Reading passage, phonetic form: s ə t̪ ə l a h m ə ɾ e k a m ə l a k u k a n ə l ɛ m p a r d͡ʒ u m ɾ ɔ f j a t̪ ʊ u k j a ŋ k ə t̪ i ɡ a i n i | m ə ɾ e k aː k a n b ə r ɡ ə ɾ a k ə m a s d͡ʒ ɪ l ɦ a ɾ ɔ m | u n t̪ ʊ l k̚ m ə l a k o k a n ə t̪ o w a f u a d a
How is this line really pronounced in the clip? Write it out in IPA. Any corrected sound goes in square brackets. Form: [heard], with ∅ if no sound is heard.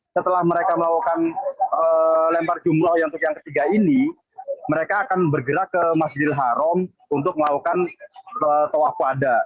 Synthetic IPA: s ə t̪ ə l a h m ə ɾ e k a m ə l a k u k a n ə l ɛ m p a r d͡ʒ u m ɾ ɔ [h] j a t̪ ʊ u k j a ŋ k ə t̪ i ɡ a i n i | m ə ɾ e k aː k a n b ə r ɡ ə ɾ a k ə m a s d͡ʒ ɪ l ɦ a ɾ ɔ m | u n t̪ ʊ [∅] k̚ m ə l a k [u] k a n ə t̪ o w a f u a d a

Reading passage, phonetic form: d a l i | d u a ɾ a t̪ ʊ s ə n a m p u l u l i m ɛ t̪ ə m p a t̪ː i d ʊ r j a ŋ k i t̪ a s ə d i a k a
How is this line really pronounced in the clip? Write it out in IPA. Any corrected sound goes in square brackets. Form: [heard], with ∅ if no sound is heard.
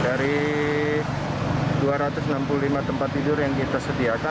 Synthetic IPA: d a [ɾ] i | d u a ɾ a t̪ ʊ s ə n a m p u l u l i m [a] t̪ ə m p a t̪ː i d ʊ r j a ŋ k i t̪ a s ə d i a k a

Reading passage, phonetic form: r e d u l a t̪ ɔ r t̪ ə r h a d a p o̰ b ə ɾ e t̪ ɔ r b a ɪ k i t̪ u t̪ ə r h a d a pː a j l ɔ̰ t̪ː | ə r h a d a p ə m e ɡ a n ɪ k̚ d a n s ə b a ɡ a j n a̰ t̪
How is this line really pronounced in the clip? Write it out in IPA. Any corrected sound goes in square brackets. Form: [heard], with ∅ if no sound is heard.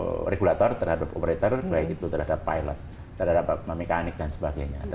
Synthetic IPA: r e [ɡ] u l a t̪ ɔ r t̪ ə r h a d a p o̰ [p] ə ɾ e t̪ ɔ r b a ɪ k i t̪ u t̪ ə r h a d a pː a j l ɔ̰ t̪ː | ə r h a d a p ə m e [k] a n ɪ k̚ d a n s ə b a ɡ a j [ɲ] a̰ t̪

